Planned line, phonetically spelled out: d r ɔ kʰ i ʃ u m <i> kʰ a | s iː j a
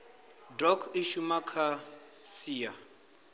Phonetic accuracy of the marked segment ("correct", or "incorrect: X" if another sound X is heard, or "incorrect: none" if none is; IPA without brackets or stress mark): incorrect: a